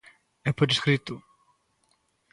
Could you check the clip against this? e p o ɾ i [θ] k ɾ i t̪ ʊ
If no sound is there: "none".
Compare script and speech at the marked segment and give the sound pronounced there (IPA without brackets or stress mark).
s